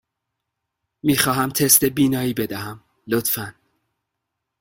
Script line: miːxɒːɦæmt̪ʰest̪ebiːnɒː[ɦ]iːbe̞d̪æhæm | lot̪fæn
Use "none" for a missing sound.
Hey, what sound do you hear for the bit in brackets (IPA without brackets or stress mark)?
none